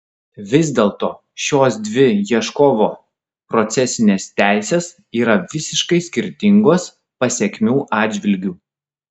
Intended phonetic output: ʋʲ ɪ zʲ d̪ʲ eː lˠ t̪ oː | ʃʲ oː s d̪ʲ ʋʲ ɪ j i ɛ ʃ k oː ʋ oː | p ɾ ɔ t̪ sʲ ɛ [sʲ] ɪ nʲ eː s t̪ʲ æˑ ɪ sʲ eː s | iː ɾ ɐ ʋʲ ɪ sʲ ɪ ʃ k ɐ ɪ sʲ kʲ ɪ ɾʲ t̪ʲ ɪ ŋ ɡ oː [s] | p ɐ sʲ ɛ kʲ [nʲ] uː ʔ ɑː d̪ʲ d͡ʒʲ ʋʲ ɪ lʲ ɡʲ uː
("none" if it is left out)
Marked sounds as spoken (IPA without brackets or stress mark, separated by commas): sʲ, s, mʲ